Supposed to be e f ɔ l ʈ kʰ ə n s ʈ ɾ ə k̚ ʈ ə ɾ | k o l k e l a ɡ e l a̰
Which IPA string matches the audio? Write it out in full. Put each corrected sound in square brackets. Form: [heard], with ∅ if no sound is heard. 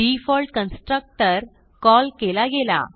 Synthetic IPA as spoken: [i] f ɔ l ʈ [k] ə n s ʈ ɾ ə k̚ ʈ ə ɾ | k [ɔ] l k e l a ɡ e l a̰